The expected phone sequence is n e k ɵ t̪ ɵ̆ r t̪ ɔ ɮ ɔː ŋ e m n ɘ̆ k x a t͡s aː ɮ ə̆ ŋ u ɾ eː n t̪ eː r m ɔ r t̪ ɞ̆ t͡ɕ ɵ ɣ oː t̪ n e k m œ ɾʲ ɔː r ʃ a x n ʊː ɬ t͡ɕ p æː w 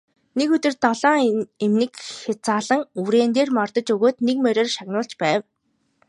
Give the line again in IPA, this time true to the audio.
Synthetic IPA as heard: n e k ɵ t̪ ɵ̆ r t̪ ɔ ɮ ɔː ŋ e m n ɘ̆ k x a t͡s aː ɮ ə̆ ŋ u ɾ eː n t̪ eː r m ɔ r t̪ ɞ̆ t͡ɕ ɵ ɣ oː t̪ n e k m œ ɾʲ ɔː r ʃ a ɣ n ʊː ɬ t͡ɕ p æː w